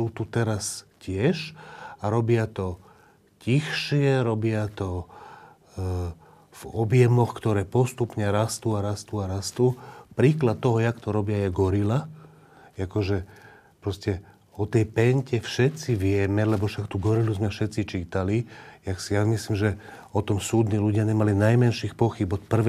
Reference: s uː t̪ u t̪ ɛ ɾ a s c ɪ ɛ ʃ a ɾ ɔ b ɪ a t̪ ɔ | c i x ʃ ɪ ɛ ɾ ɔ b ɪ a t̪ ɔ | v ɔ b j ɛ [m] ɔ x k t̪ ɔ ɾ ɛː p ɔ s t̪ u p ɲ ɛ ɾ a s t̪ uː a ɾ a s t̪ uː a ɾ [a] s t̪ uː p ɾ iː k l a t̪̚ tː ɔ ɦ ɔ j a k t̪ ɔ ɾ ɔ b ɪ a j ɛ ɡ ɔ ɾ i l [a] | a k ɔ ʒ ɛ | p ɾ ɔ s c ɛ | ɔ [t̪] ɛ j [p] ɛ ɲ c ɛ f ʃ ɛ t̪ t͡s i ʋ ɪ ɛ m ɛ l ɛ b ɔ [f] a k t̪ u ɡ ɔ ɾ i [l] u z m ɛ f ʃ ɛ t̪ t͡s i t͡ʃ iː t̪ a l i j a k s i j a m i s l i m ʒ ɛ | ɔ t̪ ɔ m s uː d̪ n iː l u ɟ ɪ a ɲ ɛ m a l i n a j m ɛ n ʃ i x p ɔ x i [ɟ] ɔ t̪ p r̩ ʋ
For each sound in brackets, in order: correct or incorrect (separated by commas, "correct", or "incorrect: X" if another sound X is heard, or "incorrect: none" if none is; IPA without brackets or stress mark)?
correct, correct, correct, correct, correct, incorrect: ʃ, correct, incorrect: b